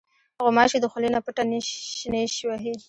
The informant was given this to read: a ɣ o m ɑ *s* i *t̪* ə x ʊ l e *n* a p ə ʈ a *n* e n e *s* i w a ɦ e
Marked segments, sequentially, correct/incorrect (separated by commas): incorrect, incorrect, correct, correct, incorrect